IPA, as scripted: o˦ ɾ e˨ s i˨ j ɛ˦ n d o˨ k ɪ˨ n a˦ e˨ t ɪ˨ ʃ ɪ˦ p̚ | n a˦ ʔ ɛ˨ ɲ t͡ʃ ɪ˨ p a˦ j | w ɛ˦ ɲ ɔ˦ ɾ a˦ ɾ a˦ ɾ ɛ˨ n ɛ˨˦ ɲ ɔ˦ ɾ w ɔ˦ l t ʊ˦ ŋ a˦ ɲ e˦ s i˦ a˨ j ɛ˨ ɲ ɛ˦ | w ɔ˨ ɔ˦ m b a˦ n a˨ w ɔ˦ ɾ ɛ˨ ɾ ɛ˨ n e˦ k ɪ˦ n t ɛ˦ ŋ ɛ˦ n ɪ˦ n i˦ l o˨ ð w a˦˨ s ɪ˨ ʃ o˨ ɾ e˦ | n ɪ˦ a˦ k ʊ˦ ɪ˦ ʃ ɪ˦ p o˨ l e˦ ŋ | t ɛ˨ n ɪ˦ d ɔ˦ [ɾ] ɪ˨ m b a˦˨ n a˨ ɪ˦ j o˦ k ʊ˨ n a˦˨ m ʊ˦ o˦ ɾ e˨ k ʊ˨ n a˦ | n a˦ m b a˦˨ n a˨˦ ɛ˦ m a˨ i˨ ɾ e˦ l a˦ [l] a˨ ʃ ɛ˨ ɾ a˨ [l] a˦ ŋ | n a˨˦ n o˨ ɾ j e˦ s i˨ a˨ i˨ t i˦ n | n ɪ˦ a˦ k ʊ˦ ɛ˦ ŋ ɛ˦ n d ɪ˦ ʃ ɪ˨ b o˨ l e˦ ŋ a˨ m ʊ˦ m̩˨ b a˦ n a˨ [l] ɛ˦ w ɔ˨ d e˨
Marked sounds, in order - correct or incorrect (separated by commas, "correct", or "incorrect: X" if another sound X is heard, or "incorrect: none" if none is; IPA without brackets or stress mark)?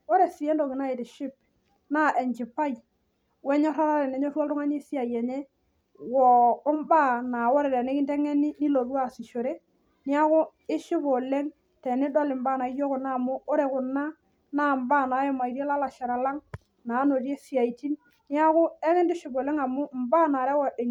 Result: incorrect: l, correct, correct, incorrect: ɾ